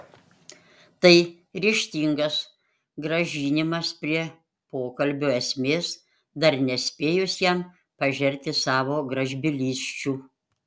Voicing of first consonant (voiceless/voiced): voiceless